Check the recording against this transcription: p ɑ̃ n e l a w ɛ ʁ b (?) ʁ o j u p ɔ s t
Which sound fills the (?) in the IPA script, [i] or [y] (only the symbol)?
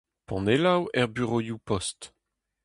y